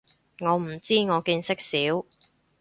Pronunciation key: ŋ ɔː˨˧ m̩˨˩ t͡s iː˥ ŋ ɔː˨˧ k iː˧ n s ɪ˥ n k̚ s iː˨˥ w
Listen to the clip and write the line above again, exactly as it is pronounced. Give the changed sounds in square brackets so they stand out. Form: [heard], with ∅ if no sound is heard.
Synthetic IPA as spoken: ŋ ɔː˨˧ m̩˨˩ t͡s iː˥ ŋ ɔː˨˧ k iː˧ n s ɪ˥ [∅] k̚ s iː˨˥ w